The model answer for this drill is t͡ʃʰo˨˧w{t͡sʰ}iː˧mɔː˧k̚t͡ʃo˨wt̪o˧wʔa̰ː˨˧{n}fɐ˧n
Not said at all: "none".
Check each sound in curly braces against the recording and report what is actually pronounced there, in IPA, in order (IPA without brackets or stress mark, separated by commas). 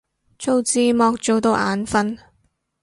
t͡s, n